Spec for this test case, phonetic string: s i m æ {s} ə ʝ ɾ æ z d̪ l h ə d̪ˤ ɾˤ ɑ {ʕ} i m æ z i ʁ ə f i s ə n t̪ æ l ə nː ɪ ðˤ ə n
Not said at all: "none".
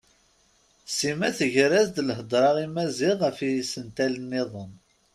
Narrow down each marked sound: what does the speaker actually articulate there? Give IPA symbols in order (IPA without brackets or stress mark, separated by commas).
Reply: θ, ʁ